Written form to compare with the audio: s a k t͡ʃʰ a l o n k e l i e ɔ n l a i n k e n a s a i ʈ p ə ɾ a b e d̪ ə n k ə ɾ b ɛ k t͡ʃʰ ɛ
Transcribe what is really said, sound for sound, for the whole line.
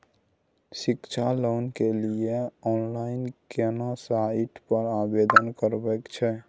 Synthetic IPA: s i k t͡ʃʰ a l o n k e l i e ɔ n l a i n k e n a s a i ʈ p ə ɾ a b e d̪ ə n k ə ɾ b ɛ k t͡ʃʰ ɛ